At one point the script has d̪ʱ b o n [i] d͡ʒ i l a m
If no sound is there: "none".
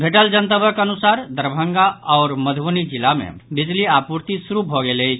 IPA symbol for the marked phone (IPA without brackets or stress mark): i